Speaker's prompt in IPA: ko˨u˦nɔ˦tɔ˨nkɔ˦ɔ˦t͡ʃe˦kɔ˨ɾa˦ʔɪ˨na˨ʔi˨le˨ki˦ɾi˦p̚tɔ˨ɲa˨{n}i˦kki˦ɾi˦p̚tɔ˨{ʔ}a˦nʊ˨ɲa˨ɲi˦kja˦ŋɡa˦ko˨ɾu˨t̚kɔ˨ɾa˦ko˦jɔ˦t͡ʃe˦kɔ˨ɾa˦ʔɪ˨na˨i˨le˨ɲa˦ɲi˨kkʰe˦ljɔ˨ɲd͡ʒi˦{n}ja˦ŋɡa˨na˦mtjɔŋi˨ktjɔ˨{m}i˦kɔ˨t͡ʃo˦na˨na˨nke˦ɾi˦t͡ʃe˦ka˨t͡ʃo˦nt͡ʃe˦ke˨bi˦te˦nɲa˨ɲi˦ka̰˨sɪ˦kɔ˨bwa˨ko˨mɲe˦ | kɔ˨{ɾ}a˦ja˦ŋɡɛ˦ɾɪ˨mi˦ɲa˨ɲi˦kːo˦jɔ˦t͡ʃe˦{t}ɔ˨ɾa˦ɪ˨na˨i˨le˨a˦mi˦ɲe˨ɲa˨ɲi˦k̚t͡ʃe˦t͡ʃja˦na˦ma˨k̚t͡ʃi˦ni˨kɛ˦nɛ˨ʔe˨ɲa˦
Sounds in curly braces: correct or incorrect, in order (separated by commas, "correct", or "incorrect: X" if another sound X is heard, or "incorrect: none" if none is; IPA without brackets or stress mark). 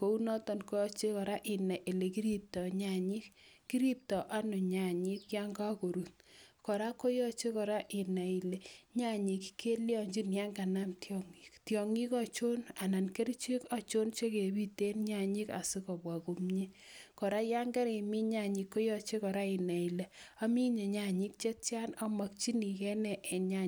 incorrect: ɲ, correct, correct, incorrect: ŋ, correct, incorrect: k